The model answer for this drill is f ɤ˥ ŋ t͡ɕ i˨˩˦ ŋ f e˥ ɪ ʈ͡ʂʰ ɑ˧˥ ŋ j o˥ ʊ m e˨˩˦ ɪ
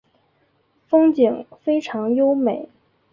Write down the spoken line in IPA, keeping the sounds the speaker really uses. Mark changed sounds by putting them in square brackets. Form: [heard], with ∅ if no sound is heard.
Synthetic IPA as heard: f ɤ˥ ŋ t͡ɕ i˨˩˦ ŋ f e˥ ɪ ʈ͡ʂʰ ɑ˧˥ ŋ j o˥ ʊ m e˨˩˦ ɪ